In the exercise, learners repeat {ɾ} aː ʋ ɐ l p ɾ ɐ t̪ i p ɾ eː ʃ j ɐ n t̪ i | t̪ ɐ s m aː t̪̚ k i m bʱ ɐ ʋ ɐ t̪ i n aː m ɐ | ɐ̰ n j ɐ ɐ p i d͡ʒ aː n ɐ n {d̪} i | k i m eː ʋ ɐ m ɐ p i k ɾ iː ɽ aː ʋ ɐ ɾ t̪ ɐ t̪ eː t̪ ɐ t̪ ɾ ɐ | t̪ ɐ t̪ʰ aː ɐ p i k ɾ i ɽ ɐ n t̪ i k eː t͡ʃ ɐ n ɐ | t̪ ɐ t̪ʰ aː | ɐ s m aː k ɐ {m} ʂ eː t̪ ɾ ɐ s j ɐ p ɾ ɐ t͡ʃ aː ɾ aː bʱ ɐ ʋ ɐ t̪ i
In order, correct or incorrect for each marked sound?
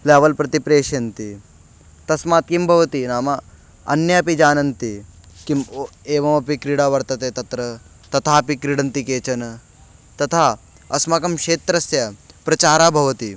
incorrect: l, incorrect: t̪, correct

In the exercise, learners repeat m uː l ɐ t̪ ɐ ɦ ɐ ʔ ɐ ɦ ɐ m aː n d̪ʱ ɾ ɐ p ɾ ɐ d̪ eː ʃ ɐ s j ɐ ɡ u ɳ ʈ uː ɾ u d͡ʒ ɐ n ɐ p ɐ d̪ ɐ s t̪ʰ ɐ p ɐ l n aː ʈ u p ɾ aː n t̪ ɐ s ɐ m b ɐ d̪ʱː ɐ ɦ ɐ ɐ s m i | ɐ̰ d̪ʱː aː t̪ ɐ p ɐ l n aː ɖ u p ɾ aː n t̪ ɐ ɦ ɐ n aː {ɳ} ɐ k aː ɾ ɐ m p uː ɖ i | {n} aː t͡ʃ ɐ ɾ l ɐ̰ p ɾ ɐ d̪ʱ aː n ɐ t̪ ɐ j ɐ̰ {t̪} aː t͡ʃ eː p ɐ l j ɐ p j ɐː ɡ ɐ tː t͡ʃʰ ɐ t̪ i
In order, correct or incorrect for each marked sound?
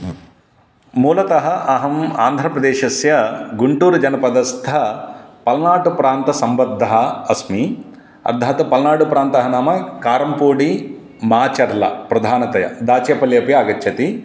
incorrect: m, incorrect: m, incorrect: d̪

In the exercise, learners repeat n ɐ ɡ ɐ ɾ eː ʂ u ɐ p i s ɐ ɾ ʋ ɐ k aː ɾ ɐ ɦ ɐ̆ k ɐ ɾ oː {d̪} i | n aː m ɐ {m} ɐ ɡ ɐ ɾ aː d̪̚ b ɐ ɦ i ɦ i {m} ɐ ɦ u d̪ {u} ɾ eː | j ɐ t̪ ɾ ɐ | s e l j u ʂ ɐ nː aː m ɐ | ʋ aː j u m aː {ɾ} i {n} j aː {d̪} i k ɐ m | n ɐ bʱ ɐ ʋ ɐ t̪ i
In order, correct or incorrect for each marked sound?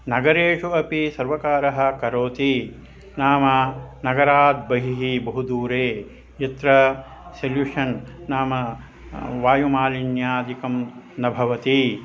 incorrect: t̪, incorrect: n, incorrect: b, incorrect: uː, incorrect: l, correct, correct

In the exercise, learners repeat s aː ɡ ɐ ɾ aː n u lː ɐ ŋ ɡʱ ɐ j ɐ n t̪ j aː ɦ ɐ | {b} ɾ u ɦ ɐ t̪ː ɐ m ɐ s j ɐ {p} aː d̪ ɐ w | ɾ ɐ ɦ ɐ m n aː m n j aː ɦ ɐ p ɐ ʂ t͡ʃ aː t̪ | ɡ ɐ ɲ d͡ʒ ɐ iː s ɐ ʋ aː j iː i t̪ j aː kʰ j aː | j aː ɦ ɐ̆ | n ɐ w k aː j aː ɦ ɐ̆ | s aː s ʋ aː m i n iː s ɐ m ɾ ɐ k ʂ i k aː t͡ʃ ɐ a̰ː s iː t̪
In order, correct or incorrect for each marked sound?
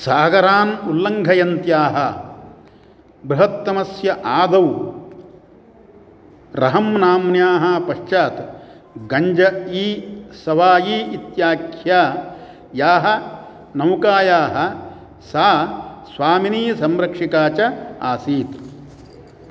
correct, incorrect: ʔ

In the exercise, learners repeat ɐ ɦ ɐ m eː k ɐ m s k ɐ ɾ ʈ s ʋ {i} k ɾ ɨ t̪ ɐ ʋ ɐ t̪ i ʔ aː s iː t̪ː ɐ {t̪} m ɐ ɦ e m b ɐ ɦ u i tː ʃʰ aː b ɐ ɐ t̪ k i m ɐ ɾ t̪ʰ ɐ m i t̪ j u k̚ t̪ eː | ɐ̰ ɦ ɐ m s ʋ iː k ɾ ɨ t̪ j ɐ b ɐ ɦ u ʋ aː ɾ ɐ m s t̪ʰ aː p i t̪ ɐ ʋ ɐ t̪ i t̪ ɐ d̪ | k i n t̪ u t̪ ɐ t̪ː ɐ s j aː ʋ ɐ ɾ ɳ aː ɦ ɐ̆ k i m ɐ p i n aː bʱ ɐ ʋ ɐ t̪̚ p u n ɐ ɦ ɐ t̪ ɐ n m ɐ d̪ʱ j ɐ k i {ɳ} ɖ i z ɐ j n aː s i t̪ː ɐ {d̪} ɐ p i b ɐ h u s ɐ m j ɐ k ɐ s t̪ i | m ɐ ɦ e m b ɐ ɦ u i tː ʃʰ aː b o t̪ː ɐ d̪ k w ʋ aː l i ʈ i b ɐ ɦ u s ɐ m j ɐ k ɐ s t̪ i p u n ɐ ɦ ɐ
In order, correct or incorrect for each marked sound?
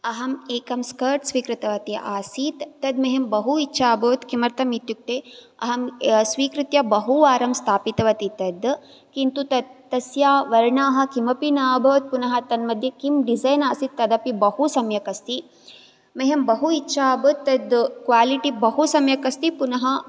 incorrect: iː, incorrect: d̪, incorrect: m, correct

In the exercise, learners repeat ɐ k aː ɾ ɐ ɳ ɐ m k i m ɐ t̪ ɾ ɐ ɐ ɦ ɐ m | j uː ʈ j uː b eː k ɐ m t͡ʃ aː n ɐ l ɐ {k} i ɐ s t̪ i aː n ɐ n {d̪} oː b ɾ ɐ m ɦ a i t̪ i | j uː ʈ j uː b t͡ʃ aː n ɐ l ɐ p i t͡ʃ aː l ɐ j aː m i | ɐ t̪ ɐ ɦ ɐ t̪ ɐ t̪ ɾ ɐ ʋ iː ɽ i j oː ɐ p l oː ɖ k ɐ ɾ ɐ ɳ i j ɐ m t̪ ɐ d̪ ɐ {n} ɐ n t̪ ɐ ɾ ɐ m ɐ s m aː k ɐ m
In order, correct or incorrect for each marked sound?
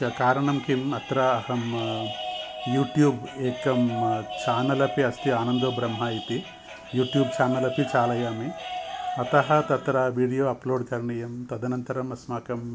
incorrect: p, correct, correct

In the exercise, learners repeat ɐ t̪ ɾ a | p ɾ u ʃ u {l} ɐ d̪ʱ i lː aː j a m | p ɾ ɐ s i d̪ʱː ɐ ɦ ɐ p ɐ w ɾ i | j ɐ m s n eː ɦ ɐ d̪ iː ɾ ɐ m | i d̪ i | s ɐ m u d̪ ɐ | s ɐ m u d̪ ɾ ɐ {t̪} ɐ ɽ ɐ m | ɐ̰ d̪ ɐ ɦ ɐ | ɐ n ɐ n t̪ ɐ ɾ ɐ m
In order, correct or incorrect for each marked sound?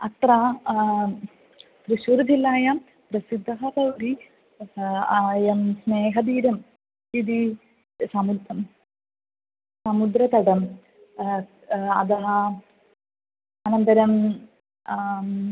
incorrect: ɾ, correct

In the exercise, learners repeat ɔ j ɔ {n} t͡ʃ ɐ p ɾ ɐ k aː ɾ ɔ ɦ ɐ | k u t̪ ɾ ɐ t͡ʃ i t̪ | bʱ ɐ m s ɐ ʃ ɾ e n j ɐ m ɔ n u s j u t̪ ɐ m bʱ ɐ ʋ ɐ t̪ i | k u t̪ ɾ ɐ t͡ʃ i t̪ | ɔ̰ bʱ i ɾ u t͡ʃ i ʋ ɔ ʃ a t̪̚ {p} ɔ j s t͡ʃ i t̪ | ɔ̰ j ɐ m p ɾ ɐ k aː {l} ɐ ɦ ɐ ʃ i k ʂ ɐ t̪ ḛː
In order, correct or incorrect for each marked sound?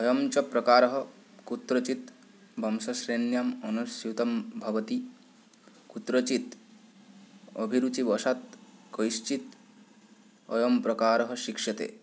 incorrect: m, incorrect: k, incorrect: ɾ

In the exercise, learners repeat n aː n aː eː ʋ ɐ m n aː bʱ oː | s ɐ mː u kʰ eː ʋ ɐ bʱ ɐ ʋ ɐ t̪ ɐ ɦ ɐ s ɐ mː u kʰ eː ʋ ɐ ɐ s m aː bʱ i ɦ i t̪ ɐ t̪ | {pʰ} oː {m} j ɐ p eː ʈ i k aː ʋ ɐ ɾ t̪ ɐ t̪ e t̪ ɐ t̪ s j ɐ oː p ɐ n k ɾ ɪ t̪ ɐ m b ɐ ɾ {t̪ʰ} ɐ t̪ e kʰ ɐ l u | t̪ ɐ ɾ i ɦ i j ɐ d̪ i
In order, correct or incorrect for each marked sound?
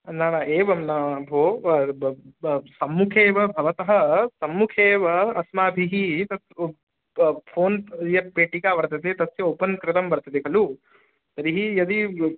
correct, incorrect: n, incorrect: t̪

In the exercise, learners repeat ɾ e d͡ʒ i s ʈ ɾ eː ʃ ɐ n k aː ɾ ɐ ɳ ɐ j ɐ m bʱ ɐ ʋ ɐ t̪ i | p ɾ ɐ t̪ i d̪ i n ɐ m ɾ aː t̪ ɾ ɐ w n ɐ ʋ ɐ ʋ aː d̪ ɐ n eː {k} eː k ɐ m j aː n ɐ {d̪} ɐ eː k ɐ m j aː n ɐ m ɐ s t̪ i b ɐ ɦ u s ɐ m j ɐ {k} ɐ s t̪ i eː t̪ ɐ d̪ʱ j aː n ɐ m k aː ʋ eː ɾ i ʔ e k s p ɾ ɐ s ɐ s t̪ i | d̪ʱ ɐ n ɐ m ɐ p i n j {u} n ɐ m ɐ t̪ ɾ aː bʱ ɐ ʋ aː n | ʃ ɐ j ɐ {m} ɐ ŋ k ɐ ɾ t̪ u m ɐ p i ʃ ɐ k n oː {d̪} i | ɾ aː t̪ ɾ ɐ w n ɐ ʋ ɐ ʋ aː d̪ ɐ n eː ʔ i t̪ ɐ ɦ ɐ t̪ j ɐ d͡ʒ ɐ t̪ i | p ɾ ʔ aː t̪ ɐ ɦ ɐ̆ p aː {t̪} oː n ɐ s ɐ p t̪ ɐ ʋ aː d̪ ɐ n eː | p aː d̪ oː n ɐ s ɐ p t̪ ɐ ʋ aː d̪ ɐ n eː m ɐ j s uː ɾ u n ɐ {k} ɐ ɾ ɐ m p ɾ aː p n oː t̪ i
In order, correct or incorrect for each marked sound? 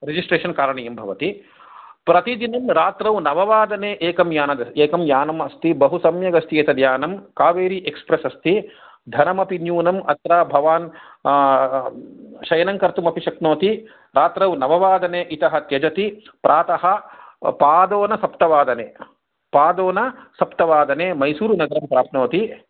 incorrect: ʔ, correct, incorrect: ɡ, incorrect: uː, incorrect: n, incorrect: t̪, incorrect: d̪, incorrect: ɡ

